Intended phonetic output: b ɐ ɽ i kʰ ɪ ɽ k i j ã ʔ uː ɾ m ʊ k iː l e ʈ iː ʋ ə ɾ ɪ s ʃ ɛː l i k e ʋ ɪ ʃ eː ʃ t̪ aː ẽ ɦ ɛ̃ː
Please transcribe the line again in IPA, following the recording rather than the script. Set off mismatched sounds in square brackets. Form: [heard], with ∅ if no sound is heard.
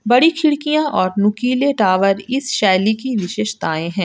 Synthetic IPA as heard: b ɐ ɽ i kʰ ɪ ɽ k i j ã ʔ [ɔː] ɾ [n] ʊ k iː l e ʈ [aː] ʋ ə ɾ ɪ s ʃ ɛː l i k [i] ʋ ɪ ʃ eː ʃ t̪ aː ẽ ɦ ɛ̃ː

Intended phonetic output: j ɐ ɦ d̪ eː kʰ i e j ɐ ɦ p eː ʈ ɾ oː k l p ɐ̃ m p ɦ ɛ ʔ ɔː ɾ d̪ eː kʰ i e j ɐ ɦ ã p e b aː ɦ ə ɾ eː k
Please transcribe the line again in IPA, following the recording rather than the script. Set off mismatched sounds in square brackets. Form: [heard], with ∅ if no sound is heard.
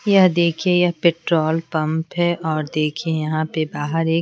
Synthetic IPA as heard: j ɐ ɦ d̪ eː kʰ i e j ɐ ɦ p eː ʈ ɾ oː [∅] l p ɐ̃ m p ɦ ɛ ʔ ɔː ɾ d̪ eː kʰ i e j ɐ ɦ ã p e b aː ɦ ə ɾ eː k

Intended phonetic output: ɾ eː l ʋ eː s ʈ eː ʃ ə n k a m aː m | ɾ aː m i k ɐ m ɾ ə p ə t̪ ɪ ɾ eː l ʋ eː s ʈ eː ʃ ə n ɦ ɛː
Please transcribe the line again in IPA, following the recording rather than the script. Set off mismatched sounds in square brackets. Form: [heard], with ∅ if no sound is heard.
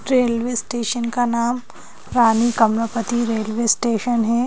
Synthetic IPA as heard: ɾ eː l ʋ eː s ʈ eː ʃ ə n k a [n] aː m | ɾ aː [n] i k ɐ m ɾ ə p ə t̪ [i] ɾ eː l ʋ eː s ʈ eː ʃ ə n ɦ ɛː

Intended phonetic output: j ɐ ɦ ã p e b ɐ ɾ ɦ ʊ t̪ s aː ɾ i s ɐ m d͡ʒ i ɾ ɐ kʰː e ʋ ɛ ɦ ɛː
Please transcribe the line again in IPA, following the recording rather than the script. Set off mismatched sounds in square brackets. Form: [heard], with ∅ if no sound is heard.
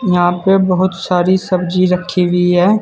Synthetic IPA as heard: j ɐ ɦ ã p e b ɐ [∅] ɦ ʊ t̪ s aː ɾ i s ɐ [b] d͡ʒ i ɾ ɐ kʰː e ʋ [i] ɦ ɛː

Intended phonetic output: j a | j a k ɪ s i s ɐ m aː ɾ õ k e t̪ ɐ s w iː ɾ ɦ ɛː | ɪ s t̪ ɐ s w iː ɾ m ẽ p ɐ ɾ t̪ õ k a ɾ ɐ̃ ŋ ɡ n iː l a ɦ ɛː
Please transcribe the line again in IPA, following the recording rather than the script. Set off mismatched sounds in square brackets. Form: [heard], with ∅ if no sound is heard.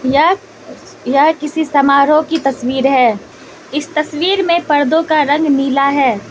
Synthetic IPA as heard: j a | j a k ɪ s i s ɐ m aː ɾ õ k [i] t̪ ɐ s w iː ɾ ɦ ɛː | ɪ s t̪ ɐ s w iː ɾ m ẽ p ɐ ɾ [d̪] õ k a ɾ ɐ̃ ŋ ɡ n iː l a ɦ ɛː

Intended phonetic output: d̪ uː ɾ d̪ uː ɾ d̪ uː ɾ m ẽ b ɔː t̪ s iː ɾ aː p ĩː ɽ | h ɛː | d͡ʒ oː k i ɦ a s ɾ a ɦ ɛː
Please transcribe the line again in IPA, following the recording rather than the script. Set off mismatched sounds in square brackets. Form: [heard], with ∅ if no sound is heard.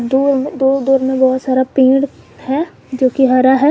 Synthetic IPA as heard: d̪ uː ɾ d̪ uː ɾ d̪ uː ɾ m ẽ b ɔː t̪ s [aː] ɾ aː p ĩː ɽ | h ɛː | d͡ʒ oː k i ɦ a [∅] ɾ a ɦ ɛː

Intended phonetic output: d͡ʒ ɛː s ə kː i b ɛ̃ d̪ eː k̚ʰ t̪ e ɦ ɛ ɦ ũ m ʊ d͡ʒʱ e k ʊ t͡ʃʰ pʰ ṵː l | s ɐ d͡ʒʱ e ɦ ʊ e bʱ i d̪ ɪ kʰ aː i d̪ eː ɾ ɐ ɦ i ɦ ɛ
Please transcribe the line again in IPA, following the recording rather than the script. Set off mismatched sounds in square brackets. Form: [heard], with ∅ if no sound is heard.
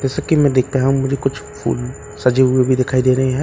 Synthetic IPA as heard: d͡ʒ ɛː s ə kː i [m] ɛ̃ d̪ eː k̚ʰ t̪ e ɦ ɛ ɦ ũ m ʊ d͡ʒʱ e k ʊ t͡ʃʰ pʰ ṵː l | s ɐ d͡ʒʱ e ɦ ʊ e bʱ i d̪ ɪ kʰ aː i d̪ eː ɾ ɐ ɦ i ɦ ɛ

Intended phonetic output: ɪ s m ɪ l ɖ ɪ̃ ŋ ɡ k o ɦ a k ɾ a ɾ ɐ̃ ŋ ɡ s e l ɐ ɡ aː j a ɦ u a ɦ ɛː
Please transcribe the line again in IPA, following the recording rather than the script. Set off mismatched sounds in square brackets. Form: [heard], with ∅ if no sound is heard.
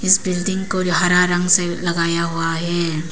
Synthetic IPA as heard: ɪ s [b] ɪ l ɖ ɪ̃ ŋ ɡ k o ɦ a [∅] ɾ a ɾ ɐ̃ ŋ ɡ s e l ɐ ɡ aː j a ɦ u a ɦ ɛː

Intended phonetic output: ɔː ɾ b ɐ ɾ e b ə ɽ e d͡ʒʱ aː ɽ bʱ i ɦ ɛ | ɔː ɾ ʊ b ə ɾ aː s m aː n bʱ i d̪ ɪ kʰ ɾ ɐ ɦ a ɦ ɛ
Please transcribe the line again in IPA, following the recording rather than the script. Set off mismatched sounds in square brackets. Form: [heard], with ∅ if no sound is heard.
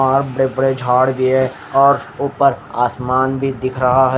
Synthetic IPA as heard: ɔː ɾ b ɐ [ɽ] e b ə ɽ e d͡ʒʱ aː ɽ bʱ i ɦ ɛ | ɔː ɾ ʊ [p] ə ɾ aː s m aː n bʱ i d̪ ɪ kʰ ɾ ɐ ɦ a ɦ ɛ

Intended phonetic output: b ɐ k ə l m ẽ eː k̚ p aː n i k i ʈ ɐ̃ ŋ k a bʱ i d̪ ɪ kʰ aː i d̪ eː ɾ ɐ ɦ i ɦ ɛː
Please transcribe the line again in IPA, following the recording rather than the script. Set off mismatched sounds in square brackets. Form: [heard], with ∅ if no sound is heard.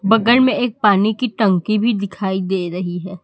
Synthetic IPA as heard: b ɐ [ɡ] ə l m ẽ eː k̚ p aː n i k i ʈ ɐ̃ ŋ k [i] bʱ i d̪ ɪ kʰ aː i d̪ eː ɾ ɐ ɦ i ɦ ɛː

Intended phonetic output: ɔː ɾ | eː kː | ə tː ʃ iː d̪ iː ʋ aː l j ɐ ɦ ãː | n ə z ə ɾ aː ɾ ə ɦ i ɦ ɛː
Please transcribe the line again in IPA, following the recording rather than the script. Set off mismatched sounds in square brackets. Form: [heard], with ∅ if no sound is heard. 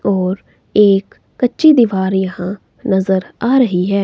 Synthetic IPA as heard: ɔː ɾ | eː kː | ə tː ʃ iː d̪ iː ʋ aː [ɾ] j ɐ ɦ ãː | n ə z ə ɾ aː ɾ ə ɦ i ɦ ɛː

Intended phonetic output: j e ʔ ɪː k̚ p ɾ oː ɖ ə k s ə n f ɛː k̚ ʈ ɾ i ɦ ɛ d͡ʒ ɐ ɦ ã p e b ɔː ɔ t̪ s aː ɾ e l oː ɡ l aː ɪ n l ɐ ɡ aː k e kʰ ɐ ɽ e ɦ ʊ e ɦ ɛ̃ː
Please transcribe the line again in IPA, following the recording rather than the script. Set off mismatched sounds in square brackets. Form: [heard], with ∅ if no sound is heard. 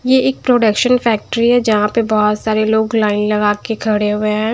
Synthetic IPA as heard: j e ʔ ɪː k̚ p ɾ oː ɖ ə k [ʃ] ə n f ɛː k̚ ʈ ɾ i ɦ ɛ d͡ʒ ɐ ɦ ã p e b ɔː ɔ t̪ s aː ɾ e l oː ɡ l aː ɪ n l ɐ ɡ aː k e kʰ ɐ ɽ e ɦ ʊ e ɦ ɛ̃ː

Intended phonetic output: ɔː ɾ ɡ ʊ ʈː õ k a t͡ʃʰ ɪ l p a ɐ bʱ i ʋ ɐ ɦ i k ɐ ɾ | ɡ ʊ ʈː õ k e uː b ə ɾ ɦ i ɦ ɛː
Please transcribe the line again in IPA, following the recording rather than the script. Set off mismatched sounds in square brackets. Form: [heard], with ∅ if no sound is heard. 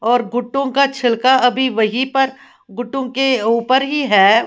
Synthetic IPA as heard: ɔː ɾ ɡ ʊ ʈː õ k a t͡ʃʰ ɪ l [k] a ɐ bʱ i ʋ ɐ ɦ i [p] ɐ ɾ | ɡ ʊ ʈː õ k e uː [p] ə ɾ ɦ i ɦ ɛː

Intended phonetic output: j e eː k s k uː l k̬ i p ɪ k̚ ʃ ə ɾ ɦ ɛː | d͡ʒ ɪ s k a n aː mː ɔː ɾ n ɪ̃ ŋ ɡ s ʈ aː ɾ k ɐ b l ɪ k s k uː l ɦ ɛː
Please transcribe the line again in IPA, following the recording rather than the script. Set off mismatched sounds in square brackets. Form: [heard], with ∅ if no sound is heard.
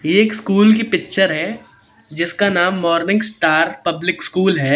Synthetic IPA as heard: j e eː k s k uː l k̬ i p ɪ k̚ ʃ ə ɾ ɦ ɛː | d͡ʒ ɪ s k a n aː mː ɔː ɾ n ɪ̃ ŋ ɡ s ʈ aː ɾ [p] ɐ b l ɪ k s k uː l ɦ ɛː

